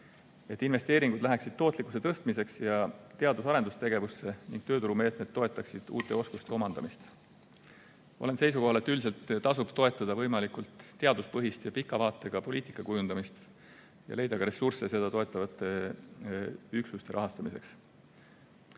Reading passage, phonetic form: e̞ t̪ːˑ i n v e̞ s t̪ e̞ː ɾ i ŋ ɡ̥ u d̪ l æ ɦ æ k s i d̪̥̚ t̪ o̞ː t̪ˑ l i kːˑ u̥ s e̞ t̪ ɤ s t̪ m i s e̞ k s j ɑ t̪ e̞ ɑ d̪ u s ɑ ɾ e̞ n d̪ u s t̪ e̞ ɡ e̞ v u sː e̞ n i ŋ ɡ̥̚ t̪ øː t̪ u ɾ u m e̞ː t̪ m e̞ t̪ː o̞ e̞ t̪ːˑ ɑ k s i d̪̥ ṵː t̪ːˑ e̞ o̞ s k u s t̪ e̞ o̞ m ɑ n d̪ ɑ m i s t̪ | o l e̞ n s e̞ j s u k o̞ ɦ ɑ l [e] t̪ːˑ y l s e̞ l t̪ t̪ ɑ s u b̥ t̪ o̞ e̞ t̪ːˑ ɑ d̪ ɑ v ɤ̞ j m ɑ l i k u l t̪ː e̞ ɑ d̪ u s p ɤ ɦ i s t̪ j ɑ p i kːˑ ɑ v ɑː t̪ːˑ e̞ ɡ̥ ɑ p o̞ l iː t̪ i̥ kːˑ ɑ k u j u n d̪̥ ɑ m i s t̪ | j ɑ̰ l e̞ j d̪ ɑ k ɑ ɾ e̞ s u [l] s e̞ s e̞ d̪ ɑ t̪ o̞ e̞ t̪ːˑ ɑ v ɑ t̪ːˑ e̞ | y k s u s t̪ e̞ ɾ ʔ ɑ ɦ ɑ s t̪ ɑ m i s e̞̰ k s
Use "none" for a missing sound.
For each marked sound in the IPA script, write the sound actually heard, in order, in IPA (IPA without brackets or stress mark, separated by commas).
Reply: e, r